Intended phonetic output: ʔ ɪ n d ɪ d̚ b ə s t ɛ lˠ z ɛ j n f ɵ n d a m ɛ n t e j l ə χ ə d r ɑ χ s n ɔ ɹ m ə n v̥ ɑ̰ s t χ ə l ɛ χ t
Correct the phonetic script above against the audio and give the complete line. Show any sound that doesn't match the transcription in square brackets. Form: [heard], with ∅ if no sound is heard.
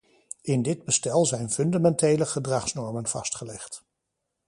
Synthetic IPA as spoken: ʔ ɪ n d ɪ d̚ b ə s t ɛ lˠ z ɛ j n f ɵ n d a m ɛ n t e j l ə χ ə d r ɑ χ s n ɔ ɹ m ə n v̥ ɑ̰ s t χ ə l ɛ χ t